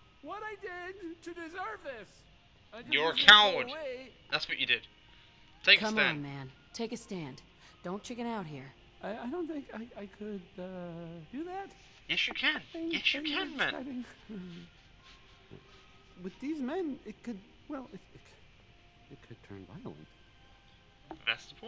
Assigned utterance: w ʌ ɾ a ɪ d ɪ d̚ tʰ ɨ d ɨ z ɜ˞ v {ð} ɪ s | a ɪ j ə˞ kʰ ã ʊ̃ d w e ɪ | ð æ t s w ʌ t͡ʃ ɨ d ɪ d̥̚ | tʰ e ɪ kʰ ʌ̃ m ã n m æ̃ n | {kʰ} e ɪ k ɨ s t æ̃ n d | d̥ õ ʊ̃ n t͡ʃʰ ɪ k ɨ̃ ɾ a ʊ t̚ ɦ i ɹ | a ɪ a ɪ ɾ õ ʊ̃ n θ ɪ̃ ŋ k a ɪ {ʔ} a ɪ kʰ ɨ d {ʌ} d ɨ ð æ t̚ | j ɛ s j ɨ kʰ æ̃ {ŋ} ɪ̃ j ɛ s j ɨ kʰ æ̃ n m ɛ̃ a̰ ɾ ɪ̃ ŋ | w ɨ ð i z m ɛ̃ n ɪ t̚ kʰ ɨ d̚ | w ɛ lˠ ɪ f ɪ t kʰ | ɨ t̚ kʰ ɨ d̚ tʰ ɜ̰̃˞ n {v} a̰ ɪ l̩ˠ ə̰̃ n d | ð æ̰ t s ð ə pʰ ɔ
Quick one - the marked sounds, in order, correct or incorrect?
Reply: correct, incorrect, incorrect, correct, incorrect, correct

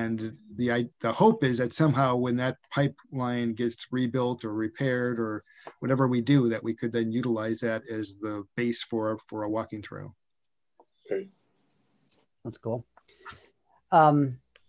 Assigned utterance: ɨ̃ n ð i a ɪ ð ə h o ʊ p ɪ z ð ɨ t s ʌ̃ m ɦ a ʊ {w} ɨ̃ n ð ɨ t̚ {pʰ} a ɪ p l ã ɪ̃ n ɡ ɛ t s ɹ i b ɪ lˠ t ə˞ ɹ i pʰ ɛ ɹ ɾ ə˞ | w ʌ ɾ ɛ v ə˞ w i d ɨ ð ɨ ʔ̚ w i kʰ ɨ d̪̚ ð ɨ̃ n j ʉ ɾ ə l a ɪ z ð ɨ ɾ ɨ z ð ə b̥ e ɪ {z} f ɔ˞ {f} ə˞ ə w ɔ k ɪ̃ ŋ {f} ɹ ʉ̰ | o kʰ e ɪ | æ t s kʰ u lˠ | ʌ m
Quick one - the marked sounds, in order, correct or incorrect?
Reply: correct, correct, incorrect, correct, incorrect

